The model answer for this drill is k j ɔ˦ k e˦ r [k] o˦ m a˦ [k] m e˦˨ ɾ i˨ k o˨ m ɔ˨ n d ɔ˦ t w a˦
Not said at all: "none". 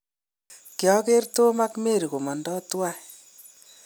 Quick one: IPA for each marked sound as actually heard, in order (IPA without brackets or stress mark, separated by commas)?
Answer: t, k